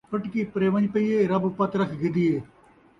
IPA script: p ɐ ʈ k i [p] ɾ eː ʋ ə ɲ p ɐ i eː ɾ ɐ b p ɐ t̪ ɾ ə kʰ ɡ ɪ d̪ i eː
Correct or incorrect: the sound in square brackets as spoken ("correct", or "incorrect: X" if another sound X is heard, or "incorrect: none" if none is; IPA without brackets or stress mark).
correct